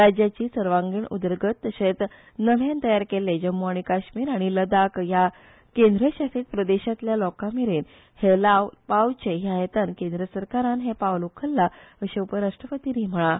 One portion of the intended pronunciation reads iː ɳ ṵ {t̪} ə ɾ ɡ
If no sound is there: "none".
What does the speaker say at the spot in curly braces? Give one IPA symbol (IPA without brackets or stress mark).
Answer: d̪